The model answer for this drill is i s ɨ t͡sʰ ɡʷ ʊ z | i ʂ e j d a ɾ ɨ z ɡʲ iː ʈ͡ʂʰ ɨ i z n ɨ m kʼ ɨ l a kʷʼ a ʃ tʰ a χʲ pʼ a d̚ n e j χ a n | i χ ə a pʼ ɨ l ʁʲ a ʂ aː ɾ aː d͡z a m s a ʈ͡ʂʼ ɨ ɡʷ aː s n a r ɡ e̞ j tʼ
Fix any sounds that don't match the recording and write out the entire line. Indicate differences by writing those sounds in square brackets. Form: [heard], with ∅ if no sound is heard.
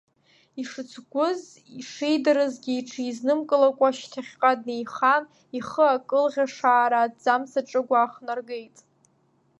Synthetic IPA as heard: i [ʂ] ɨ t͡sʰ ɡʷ ʊ z | i ʂ e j d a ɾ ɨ z ɡʲ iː ʈ͡ʂʰ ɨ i z n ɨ m kʼ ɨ l a kʷʼ a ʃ tʰ a χʲ [qʼ] a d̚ n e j χ a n | i χ ə a [kʼ] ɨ l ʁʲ a ʂ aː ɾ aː d͡z a m s a ʈ͡ʂʼ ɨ ɡʷ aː [χ] n a r ɡ e̞ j tʼ